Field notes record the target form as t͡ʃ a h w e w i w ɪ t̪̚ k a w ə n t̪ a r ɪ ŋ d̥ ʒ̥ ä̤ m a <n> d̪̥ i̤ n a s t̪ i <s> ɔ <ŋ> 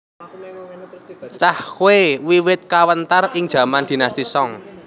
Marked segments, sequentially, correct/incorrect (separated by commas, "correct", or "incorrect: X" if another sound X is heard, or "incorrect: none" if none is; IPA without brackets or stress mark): correct, correct, correct